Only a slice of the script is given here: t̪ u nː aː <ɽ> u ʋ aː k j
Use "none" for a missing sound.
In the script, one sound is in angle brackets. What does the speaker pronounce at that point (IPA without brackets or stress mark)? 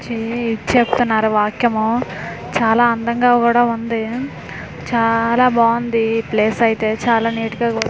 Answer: ɾ